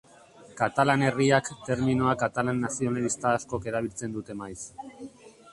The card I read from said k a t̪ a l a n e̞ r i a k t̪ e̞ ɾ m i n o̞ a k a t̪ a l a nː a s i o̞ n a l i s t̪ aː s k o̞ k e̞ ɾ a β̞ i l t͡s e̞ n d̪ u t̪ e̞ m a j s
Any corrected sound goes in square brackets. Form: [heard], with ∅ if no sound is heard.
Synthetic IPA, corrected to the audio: k a t̪ a l a n e̞ r i a k t̪ e̞ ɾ m i n o̞ a k a t̪ a l a nː a s i o̞ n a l i s t̪ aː s k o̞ k e̞ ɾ a β̞ i l t͡s e̞ n d̪ u t̪ e̞ m a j s

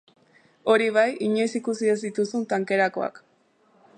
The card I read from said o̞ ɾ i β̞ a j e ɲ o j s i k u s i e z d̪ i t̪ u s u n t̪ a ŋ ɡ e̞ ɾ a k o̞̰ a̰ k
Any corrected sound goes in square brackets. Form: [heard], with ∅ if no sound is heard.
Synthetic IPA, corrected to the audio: o̞ ɾ i β̞ a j [i] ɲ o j s i k u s i e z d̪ i t̪ u s u n t̪ a ŋ [k] e̞ ɾ a k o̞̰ a̰ k

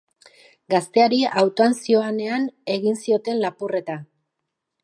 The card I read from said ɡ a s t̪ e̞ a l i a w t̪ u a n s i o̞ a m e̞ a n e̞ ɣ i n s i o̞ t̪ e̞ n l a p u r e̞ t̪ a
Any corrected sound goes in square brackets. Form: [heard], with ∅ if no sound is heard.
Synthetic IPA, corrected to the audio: ɡ a s t̪ e̞ a [ɾ] i a w t̪ [o] a n s i o̞ a [n] e̞ a n e̞ ɣ i n s i o̞ t̪ e̞ n l a p u r e̞ t̪ a

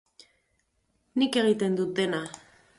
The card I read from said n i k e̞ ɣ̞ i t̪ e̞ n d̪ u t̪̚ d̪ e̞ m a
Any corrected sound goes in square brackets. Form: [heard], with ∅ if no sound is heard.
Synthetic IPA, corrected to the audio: n i k e̞ ɣ̞ i t̪ e̞ n d̪ u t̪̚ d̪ e̞ [n] a

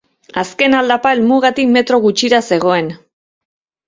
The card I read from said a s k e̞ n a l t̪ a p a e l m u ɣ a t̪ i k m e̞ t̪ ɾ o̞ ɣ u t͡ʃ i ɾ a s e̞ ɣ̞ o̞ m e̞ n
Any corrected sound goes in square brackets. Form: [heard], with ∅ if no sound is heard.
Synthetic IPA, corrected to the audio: a s k e̞ n a l [d̪] a p a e l m u ɣ a t̪ i k m e̞ t̪ ɾ o̞ ɣ u t͡ʃ i ɾ a s e̞ ɣ̞ o̞ [∅] e̞ n

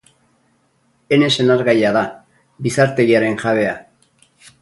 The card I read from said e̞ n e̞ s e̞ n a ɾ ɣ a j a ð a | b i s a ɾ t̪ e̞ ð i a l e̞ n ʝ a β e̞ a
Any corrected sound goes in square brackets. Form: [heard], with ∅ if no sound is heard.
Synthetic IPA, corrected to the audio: e̞ n e̞ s e̞ n a ɾ ɣ a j a ð a | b i s a ɾ t̪ e̞ [ɣ] i a [ɾ] e̞ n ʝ a β e̞ a

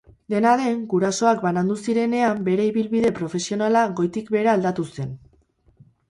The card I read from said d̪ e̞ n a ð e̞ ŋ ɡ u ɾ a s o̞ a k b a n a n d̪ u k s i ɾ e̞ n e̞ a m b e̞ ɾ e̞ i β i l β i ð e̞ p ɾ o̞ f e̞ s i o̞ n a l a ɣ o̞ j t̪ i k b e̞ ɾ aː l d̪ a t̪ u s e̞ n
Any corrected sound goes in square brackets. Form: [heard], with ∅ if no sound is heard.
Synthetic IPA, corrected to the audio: d̪ e̞ n a ð e̞ ŋ ɡ u ɾ a s o̞ a k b a n a n d̪ u [∅] s i ɾ e̞ n e̞ a m b e̞ ɾ e̞ i β i l β i ð e̞ p ɾ o̞ f e̞ s i o̞ n a l a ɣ o̞ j t̪ i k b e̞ ɾ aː l d̪ a t̪ u s e̞ n

